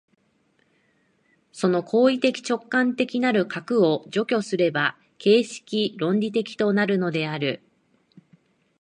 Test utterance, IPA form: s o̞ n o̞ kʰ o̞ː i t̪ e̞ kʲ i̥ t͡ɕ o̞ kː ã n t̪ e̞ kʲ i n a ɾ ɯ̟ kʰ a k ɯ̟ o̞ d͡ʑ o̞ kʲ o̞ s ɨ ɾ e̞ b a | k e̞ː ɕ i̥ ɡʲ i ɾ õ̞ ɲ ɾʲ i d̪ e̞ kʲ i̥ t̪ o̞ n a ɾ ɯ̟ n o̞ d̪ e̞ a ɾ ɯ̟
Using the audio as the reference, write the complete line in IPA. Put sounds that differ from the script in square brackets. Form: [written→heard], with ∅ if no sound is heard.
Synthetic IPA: s o̞ n o̞ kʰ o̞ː i t̪ e̞ kʲ i̥ t͡ɕ o̞ kː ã n t̪ e̞ kʲ i n a ɾ ɯ̟ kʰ a k ɯ̟ o̞ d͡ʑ o̞ kʲ o̞ s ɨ ɾ e̞ b a | k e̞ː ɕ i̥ [ɡʲ→kʲ] i ɾ õ̞ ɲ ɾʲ i [d̪→t̪] e̞ kʲ i̥ t̪ o̞ n a ɾ ɯ̟ n o̞ d̪ e̞ a ɾ ɯ̟